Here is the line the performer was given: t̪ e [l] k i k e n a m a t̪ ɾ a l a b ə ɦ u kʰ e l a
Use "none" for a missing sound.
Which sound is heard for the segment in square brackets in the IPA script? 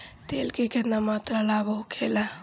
l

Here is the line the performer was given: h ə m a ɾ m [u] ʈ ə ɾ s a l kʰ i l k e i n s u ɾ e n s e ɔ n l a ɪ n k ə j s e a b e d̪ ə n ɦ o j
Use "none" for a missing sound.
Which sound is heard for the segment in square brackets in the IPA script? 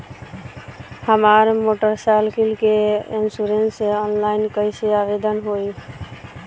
o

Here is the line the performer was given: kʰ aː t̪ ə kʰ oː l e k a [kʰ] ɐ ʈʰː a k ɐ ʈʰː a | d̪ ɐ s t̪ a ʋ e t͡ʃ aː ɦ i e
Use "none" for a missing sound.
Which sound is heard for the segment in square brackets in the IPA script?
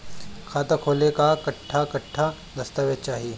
k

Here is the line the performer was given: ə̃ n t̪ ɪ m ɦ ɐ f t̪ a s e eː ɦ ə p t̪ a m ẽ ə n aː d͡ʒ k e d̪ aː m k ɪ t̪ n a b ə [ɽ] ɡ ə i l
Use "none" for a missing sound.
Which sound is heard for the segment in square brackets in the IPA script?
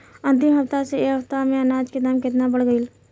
ɽ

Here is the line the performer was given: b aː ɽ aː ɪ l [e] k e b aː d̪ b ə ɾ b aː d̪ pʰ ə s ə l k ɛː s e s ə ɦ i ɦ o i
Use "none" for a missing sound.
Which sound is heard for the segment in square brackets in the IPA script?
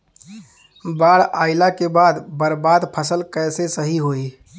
a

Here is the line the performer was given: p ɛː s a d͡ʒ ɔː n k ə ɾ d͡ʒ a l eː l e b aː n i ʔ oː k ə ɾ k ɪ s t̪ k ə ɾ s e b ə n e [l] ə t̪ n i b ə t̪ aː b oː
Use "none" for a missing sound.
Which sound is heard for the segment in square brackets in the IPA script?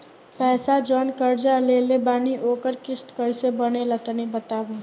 l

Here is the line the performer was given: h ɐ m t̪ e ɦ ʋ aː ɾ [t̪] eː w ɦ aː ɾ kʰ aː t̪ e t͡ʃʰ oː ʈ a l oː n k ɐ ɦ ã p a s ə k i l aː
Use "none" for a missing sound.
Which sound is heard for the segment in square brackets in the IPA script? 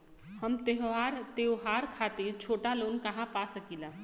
t̪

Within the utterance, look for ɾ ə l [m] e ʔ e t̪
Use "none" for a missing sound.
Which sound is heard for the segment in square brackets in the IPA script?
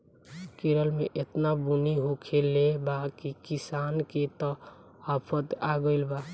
m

